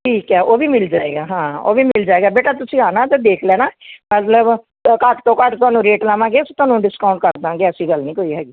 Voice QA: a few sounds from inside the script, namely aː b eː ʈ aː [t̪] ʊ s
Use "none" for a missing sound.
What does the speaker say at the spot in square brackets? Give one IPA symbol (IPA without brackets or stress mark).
t̪